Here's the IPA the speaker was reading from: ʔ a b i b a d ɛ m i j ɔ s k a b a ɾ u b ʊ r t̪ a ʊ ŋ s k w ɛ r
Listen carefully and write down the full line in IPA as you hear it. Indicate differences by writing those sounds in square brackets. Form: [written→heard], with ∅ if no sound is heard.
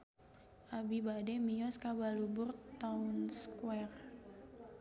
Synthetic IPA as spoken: ʔ a b i b a d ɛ m i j ɔ s k a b a [ɾ→l] u b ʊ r t̪ a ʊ [ŋ→n] s k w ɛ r